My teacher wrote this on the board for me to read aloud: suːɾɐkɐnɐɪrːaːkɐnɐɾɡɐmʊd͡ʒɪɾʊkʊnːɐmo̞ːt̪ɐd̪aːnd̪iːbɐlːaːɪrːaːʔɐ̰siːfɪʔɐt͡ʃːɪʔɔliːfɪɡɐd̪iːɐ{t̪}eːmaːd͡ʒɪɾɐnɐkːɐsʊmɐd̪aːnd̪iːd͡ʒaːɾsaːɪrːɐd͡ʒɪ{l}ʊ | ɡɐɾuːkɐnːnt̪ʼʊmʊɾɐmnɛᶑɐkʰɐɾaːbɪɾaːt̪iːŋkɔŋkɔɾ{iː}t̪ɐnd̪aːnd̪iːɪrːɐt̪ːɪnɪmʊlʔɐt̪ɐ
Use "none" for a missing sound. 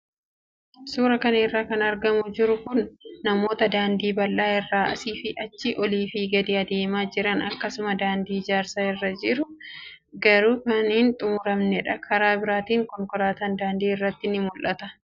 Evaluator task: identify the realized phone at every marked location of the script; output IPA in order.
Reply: d̪, ɾ, aː

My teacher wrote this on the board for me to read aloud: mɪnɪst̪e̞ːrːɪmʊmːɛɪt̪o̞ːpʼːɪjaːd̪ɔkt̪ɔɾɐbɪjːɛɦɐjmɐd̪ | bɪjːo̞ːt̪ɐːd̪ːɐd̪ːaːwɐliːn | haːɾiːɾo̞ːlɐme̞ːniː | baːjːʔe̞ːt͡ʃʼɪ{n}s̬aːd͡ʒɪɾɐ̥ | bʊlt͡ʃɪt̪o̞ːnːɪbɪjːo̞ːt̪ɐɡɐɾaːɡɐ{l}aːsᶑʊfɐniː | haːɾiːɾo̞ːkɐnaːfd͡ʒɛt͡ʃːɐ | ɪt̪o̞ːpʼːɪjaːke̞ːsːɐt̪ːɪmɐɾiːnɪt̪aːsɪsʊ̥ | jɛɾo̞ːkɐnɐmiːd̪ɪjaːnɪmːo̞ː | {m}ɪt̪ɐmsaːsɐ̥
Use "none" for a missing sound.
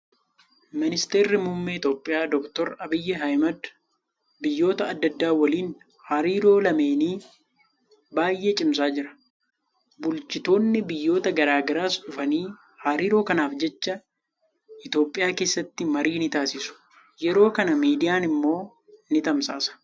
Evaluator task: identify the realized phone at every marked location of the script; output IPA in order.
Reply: m, ɾ, n

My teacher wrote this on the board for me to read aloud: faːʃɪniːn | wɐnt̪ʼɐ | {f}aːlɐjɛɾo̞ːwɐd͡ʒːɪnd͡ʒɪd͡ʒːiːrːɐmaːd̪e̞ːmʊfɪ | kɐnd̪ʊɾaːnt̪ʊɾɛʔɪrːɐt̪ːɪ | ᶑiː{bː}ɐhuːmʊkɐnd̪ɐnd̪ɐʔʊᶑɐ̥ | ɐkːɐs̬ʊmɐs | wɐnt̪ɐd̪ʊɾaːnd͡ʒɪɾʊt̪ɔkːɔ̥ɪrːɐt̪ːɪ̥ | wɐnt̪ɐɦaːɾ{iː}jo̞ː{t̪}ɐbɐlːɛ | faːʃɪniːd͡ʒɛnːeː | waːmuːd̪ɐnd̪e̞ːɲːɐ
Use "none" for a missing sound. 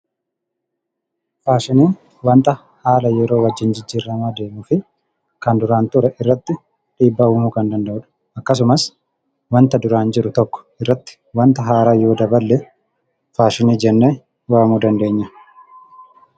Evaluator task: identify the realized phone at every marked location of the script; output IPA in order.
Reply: h, bː, aː, d̪

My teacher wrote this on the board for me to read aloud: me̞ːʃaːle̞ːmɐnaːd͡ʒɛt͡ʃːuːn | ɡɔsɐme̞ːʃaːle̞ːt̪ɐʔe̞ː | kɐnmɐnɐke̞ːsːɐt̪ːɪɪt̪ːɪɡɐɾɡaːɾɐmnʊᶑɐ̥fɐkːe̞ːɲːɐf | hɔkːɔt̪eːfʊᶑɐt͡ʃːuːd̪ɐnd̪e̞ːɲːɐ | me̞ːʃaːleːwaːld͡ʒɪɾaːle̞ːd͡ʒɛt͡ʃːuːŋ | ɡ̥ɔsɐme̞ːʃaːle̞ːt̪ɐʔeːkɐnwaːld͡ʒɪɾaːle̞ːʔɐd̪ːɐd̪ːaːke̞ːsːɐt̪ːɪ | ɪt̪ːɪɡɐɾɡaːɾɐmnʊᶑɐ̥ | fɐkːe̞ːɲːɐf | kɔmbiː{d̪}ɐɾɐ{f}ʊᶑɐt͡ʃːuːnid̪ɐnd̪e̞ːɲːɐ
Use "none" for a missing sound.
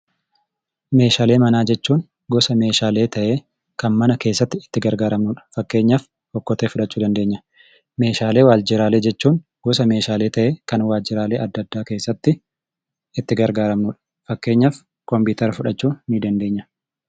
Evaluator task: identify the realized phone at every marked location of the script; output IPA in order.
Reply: t̪, f

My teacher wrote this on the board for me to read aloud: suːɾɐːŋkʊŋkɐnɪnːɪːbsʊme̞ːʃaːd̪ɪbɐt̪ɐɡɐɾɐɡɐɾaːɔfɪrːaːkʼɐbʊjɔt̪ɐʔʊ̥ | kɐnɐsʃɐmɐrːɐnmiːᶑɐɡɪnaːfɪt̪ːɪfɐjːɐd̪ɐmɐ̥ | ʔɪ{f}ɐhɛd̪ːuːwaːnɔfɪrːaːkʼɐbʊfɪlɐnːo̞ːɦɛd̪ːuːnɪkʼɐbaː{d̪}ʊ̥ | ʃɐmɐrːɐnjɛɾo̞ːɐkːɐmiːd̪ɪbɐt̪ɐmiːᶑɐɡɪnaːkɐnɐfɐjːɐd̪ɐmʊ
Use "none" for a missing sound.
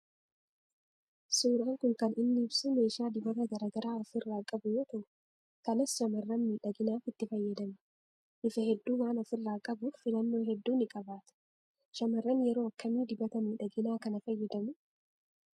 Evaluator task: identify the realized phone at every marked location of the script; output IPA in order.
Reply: f, t̪

